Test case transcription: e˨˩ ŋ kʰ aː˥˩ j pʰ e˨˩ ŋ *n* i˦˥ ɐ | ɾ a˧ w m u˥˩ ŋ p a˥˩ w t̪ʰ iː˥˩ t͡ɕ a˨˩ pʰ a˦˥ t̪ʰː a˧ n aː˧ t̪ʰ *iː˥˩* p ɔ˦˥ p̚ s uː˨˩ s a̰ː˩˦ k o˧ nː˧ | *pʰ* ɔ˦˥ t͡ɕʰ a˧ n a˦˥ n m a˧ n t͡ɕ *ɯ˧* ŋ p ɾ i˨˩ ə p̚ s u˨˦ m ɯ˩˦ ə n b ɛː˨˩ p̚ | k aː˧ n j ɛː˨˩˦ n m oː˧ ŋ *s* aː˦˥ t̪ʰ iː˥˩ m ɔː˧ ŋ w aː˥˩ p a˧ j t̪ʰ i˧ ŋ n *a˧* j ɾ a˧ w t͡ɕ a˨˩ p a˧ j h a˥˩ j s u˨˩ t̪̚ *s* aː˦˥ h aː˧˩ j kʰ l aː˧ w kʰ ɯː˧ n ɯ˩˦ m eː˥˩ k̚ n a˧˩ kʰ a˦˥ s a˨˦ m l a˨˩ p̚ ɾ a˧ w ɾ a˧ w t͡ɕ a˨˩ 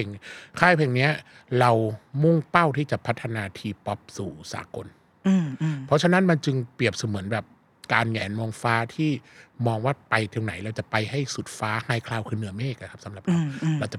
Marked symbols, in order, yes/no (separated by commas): yes, no, yes, yes, no, no, no